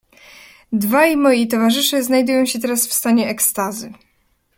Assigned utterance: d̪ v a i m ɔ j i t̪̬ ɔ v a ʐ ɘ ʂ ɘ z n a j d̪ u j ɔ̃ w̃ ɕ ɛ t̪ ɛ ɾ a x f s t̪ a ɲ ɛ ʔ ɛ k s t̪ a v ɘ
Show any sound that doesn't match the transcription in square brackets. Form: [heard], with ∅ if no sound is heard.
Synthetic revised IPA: d̪ v a [j] m ɔ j i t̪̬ ɔ v a ʐ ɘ ʂ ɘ z n a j d̪ u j ɔ̃ w̃ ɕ ɛ t̪ ɛ ɾ a [s] f s t̪ a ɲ ɛ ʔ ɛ k s t̪ a [z] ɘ